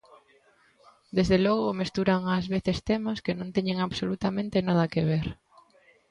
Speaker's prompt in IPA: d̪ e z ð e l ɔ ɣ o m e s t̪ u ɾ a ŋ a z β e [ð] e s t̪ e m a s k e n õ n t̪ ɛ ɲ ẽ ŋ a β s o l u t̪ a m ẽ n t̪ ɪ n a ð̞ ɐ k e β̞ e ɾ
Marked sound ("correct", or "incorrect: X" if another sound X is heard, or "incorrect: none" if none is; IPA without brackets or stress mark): incorrect: θ